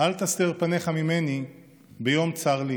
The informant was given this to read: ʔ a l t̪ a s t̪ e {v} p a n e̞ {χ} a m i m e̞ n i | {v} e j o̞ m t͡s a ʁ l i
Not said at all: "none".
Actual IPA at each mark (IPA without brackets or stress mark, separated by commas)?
ʁ, χ, b